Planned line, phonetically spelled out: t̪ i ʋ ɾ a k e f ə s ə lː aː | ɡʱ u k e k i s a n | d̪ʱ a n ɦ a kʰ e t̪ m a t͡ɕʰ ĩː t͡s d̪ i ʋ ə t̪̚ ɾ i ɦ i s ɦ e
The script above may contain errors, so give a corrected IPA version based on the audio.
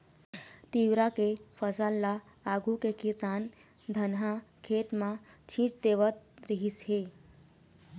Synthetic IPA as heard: t̪ i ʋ ɾ a k e f ə s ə lː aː | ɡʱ u k e k i s a n | d̪ʱ ə n ɦ a kʰ e t̪ m a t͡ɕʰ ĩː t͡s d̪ e ʋ ə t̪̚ ɾ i ɦ i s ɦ e